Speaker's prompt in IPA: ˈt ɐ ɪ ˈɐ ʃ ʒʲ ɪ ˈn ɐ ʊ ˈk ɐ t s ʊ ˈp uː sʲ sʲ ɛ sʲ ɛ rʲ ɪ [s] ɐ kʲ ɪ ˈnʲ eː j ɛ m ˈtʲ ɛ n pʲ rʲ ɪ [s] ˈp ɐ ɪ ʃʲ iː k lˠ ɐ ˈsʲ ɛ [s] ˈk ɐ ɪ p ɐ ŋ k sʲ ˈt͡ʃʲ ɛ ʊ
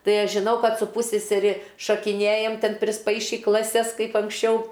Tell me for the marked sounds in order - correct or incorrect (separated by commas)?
incorrect, correct, correct